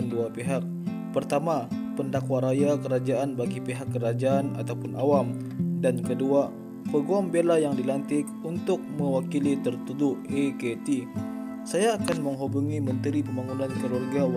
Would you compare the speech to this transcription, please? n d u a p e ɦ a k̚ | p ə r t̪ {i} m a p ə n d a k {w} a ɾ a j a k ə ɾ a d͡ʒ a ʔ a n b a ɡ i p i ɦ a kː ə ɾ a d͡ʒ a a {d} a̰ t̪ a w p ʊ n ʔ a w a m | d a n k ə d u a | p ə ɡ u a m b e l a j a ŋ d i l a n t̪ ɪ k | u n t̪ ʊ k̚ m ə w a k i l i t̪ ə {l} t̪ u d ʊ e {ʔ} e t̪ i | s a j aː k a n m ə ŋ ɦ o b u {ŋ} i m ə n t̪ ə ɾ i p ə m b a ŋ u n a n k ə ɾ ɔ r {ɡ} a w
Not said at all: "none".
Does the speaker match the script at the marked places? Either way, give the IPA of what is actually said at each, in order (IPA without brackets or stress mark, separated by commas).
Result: a, w, n, r, k, ŋ, ɡ